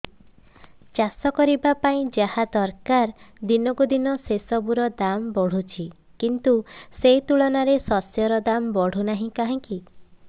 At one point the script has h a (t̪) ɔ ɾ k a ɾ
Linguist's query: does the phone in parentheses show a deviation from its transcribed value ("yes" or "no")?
yes